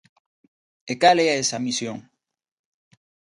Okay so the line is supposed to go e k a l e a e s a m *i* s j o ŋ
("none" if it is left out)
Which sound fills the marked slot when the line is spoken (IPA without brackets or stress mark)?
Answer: i